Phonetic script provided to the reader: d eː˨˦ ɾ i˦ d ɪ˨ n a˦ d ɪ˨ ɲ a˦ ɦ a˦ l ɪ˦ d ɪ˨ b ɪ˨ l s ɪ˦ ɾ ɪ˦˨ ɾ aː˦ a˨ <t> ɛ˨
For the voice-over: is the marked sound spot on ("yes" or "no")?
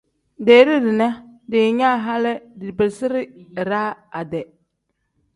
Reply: no